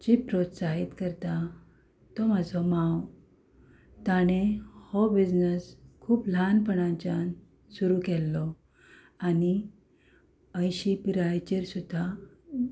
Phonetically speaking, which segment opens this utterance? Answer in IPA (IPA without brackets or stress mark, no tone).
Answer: d͡ʑ